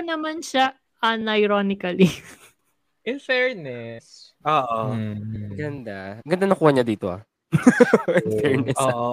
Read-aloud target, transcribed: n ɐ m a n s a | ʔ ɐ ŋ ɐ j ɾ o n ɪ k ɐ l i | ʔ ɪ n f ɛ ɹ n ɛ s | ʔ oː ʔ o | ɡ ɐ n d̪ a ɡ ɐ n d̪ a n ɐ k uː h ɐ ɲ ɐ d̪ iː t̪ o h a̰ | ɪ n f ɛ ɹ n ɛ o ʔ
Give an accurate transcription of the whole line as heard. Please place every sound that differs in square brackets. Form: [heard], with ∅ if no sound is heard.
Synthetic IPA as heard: n ɐ m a n [ʃ] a | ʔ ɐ [n] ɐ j ɾ o n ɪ k ɐ l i | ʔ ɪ n f ɛ ɹ n ɛ s | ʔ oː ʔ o | ɡ ɐ n d̪ a ɡ ɐ n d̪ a n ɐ k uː h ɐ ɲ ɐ d̪ iː t̪ o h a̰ | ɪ n f ɛ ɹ n ɛ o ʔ